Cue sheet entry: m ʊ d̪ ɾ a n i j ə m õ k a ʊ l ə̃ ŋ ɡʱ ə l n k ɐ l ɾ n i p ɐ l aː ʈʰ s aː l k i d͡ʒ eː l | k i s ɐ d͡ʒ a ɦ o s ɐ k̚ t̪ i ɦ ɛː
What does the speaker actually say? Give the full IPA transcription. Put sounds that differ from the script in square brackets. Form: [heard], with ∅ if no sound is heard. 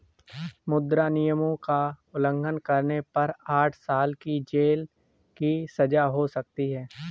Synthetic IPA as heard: m ʊ d̪ ɾ a n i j ə m õ k a ʊ l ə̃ ŋ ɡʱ ə [∅] n k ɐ [∅] ɾ n [e] p ɐ [ɾ] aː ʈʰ s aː l k i d͡ʒ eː l | k i s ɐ d͡ʒ a ɦ o s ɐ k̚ t̪ i ɦ ɛː